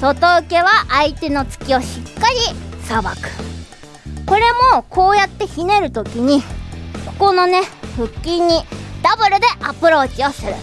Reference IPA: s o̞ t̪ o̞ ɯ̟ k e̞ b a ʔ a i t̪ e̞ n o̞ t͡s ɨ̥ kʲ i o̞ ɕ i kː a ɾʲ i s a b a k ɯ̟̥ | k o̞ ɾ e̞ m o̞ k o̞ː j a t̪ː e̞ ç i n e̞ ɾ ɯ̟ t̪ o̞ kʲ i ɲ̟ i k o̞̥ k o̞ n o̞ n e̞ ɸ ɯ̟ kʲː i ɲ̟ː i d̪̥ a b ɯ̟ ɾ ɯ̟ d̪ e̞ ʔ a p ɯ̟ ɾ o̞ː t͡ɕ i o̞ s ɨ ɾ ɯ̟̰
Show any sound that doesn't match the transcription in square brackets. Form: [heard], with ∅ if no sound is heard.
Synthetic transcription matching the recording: s o̞ t̪ o̞ ɯ̟ k e̞ [β] a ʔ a i t̪ e̞ n o̞ t͡s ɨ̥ kʲ i o̞ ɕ i kː a ɾʲ i s a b a k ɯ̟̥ | k o̞ ɾ e̞ m o̞ k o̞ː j a t̪ː e̞ ç i n e̞ ɾ ɯ̟ t̪ o̞ kʲ i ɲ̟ i k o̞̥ k o̞ n o̞ n e̞ ɸ ɯ̟ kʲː i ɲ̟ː i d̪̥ a b ɯ̟ ɾ ɯ̟ d̪ e̞ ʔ a p ɯ̟ ɾ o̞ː t͡ɕ i o̞ s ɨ ɾ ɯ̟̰